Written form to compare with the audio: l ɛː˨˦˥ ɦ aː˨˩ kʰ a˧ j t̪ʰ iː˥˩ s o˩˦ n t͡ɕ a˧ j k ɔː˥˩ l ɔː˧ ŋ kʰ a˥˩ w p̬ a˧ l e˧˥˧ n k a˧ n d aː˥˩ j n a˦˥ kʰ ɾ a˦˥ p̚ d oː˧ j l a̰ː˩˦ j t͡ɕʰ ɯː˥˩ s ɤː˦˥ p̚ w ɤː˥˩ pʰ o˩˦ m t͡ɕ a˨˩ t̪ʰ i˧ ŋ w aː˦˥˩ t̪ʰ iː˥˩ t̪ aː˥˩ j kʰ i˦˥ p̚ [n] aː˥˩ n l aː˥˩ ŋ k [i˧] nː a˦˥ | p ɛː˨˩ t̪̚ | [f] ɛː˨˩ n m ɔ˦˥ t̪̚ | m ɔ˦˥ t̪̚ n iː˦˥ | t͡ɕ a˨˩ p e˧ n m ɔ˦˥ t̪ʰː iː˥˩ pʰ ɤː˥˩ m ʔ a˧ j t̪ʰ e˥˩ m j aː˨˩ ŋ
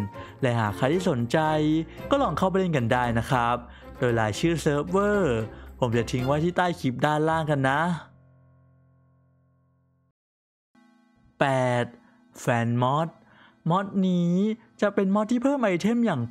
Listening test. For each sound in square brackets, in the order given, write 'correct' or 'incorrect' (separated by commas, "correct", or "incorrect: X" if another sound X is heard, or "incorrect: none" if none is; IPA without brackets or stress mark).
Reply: incorrect: d, incorrect: a˧, correct